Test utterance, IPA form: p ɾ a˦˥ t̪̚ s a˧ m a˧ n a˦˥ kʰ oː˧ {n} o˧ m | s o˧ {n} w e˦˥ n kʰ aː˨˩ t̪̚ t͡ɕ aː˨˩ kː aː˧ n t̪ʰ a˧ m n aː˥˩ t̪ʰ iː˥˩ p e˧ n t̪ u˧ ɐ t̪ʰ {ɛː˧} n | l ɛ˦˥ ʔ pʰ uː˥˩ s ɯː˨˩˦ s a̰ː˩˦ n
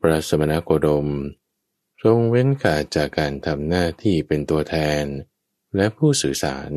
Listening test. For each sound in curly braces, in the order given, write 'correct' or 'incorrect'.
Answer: incorrect: d, incorrect: ŋ, correct

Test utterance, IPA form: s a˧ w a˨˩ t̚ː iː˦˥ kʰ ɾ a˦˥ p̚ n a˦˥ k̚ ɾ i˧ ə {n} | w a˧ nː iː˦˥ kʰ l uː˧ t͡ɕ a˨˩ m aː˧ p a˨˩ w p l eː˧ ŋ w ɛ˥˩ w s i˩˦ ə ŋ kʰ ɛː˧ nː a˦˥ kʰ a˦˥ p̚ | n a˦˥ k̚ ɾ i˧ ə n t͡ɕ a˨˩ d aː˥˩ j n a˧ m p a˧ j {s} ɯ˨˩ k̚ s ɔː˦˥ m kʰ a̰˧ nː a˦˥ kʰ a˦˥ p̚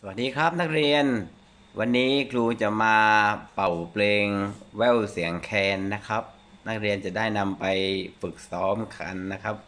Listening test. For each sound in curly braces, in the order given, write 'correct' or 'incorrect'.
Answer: correct, incorrect: f

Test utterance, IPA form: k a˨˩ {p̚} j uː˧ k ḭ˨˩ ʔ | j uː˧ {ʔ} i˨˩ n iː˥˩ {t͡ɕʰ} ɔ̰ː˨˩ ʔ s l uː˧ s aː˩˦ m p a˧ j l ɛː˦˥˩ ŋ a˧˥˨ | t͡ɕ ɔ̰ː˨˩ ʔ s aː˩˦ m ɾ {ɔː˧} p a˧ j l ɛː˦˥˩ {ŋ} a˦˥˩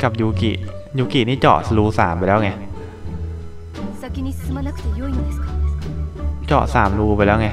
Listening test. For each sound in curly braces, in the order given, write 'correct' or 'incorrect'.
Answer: correct, incorrect: k, incorrect: t͡ɕ, incorrect: uː˧, correct

